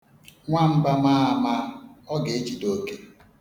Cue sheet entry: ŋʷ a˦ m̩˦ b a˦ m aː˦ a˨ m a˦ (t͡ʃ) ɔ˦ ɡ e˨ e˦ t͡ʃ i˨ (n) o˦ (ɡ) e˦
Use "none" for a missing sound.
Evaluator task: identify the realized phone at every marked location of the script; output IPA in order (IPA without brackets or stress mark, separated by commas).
none, d, k